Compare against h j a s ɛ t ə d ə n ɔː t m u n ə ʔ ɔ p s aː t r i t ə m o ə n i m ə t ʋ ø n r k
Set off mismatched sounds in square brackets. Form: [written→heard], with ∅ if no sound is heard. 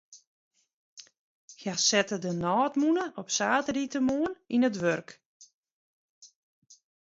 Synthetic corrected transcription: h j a s ɛ t ə d ə n ɔː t m u n ə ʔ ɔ p s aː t r i t ə m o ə n i [m→n] ə t ʋ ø [n→∅] r k